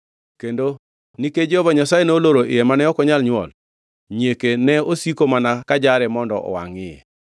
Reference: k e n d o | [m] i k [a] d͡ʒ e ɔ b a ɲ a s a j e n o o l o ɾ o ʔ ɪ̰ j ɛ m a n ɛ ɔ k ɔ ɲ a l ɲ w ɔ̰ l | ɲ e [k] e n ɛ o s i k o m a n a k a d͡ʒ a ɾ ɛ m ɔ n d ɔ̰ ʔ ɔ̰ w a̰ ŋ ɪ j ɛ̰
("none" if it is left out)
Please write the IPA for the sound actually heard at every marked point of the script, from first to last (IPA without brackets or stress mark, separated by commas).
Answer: n, e, k